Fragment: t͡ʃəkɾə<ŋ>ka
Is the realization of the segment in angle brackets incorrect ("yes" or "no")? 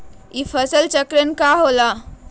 yes